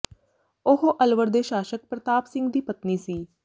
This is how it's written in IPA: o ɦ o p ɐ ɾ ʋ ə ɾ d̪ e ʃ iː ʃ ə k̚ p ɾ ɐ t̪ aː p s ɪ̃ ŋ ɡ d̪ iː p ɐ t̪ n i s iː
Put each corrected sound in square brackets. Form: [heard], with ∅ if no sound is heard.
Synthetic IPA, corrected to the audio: o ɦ o [ʔ] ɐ [l] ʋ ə ɾ d̪ e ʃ [aː] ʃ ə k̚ p ɾ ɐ t̪ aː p s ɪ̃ ŋ ɡ d̪ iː p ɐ t̪ n i s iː